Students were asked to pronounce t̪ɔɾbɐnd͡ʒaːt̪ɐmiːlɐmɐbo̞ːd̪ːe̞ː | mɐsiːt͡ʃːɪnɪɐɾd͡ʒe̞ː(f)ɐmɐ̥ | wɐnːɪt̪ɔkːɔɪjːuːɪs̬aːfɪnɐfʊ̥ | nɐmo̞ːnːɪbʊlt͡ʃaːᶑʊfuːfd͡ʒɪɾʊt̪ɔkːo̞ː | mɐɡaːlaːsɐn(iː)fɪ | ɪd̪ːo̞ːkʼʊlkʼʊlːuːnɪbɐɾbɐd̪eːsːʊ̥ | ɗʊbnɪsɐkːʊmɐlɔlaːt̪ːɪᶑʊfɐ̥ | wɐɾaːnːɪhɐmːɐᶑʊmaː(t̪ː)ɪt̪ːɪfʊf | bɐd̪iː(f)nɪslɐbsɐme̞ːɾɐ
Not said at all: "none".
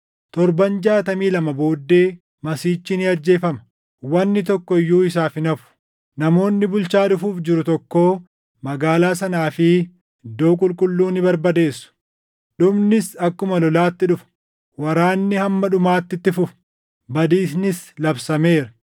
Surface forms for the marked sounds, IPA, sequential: f, aː, t̪ː, s

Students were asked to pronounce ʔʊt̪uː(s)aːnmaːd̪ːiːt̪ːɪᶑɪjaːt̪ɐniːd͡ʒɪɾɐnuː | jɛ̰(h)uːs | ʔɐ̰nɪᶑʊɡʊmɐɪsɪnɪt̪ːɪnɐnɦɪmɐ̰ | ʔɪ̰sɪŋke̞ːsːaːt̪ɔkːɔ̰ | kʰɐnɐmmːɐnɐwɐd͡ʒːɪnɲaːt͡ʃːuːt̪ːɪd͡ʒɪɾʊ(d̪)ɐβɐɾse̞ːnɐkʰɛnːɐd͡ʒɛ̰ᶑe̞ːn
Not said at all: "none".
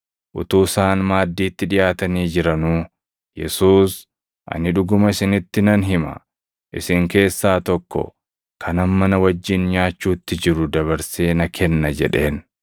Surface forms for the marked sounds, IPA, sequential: s, s, d̪

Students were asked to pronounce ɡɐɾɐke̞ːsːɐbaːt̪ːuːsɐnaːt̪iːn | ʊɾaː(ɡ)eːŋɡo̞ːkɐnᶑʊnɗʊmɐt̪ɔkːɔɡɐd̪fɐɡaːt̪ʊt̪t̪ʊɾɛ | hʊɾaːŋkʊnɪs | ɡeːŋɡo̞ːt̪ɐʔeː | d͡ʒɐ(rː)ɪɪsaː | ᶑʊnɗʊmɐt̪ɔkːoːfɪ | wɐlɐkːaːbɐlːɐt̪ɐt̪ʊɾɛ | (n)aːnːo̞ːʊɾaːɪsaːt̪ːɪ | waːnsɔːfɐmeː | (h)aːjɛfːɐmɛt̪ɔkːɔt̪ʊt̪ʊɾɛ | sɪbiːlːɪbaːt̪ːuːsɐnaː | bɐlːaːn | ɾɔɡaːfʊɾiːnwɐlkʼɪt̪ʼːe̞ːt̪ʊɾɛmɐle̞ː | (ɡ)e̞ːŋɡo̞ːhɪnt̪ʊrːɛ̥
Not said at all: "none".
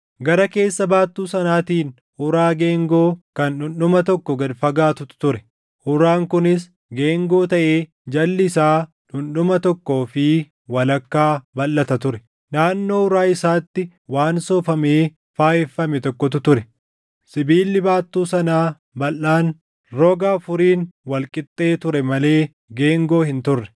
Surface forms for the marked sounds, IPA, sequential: ɡ, lː, n, f, ɡ

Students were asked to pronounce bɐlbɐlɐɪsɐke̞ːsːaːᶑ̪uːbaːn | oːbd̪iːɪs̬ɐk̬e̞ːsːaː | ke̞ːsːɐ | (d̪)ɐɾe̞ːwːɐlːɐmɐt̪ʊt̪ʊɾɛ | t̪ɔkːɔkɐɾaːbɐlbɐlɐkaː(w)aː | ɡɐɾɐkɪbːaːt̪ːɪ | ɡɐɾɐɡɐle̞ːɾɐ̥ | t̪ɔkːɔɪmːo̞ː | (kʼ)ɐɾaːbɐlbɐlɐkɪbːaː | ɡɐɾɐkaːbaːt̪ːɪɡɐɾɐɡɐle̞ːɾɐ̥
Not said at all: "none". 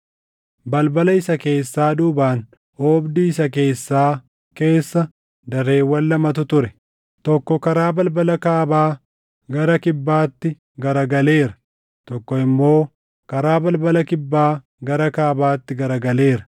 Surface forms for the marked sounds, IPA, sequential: d̪, b, k

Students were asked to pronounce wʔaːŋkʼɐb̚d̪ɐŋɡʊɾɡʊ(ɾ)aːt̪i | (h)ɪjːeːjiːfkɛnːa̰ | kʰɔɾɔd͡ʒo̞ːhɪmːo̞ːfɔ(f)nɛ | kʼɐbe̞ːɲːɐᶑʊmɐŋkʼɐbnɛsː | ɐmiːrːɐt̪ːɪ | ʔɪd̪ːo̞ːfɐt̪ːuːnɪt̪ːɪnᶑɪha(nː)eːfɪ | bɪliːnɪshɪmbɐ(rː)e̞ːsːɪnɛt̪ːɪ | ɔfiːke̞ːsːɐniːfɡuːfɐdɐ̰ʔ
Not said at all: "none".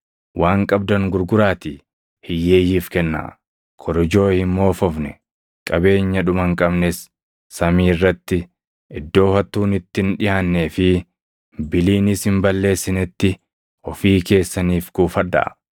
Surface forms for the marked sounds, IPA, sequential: ɾ, h, f, nː, lː

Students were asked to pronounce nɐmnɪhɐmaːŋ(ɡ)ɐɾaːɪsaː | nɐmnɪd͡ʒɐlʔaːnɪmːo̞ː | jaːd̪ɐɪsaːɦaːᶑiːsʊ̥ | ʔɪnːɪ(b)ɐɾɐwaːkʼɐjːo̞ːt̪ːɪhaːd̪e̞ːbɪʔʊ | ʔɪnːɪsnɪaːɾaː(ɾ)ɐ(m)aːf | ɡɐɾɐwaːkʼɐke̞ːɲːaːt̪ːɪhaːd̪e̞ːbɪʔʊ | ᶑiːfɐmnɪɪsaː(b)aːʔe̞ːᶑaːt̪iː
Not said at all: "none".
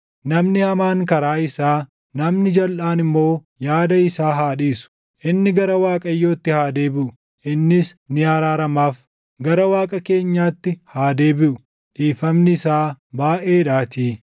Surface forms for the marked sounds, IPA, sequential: k, ɡ, ɾ, m, b

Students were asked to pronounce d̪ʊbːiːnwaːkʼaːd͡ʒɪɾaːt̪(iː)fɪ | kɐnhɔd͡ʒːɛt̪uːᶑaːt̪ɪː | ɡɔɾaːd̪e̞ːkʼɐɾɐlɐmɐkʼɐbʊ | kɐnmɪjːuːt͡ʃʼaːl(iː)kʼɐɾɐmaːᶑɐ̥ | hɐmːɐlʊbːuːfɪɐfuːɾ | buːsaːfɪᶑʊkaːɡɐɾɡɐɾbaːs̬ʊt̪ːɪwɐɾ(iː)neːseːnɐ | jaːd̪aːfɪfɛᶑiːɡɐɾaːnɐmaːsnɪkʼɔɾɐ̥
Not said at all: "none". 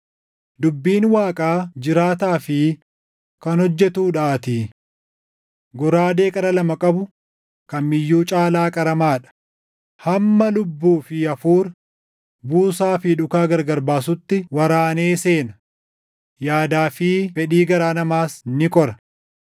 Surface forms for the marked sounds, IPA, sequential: aː, aː, aː

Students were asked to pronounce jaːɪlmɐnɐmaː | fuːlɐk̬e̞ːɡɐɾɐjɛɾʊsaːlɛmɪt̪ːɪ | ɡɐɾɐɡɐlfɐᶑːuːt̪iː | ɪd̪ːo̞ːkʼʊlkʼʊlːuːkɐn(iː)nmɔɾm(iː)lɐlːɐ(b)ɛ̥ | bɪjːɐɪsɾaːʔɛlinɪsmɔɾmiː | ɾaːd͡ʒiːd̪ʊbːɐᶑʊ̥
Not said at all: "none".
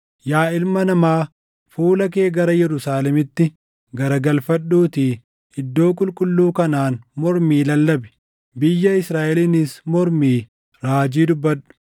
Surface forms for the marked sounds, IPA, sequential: aː, iː, b

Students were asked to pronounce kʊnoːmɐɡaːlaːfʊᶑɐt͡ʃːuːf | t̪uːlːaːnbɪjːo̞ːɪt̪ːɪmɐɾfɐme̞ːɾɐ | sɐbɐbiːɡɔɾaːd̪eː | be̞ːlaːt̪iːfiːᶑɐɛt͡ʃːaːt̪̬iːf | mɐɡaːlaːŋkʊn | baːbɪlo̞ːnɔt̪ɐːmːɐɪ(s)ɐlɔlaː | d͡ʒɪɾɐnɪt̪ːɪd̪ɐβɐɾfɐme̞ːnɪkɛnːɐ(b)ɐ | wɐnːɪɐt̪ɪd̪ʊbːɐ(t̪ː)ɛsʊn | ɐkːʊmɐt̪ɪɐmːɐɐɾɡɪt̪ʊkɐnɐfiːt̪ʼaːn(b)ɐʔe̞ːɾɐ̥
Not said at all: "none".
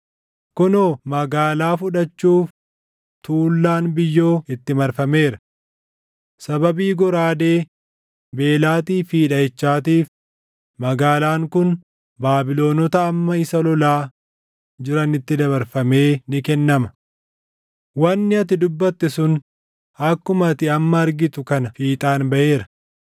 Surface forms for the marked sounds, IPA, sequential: s, m, t̪ː, b

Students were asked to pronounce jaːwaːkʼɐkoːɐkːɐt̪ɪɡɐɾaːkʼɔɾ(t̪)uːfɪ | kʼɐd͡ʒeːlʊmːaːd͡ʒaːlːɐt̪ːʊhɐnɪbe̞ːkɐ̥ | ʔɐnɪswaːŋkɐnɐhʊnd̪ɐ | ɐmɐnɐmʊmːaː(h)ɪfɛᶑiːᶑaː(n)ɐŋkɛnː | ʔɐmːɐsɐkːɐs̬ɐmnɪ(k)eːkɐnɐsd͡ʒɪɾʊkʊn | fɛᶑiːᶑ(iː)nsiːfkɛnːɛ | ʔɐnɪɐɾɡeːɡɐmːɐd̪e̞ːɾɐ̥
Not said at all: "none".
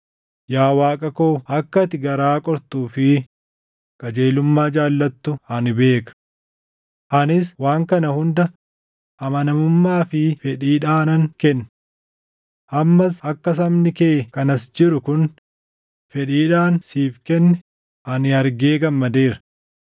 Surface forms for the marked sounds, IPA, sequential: t̪, f, n, k, aː

